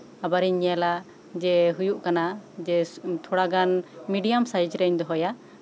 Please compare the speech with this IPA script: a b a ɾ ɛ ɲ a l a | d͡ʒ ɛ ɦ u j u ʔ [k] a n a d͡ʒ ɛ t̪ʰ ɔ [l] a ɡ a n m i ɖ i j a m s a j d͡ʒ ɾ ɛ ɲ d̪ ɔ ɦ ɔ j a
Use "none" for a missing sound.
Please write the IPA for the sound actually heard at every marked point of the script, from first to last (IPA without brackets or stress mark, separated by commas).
k, ɽ